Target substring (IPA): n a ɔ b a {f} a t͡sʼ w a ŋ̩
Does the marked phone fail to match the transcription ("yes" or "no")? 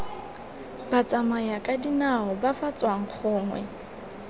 no